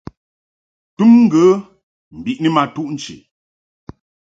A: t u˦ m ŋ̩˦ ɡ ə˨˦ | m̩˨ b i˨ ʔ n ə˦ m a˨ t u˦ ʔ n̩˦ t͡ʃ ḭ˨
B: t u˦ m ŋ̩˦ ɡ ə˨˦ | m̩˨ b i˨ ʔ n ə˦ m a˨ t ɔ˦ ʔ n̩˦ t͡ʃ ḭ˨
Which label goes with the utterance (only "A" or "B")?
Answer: A